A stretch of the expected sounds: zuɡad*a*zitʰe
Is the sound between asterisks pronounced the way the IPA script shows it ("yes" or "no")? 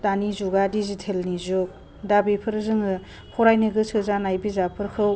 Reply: no